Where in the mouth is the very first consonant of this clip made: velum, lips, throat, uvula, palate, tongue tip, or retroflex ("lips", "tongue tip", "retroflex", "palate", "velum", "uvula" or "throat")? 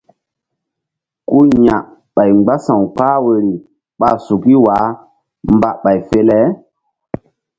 velum